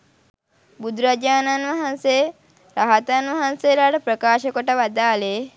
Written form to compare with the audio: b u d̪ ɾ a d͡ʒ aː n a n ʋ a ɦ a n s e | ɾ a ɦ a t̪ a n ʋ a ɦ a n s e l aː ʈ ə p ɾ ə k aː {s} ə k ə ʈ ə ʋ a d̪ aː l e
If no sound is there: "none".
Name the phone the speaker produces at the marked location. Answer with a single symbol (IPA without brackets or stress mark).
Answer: ʃ